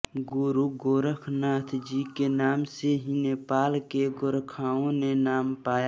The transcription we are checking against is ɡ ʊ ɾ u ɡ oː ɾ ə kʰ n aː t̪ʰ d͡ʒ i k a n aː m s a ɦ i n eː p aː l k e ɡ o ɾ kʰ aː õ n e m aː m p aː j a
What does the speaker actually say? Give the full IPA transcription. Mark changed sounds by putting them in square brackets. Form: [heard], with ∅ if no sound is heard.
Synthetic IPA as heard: ɡ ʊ ɾ u ɡ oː ɾ ə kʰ n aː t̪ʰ d͡ʒ i k [e] n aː m s [e] ɦ i n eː p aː l k e ɡ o ɾ kʰ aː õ n e [n] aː m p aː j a